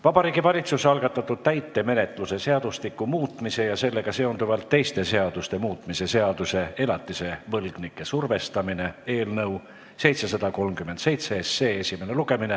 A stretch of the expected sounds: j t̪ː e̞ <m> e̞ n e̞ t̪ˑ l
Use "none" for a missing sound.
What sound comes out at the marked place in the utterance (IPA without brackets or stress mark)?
m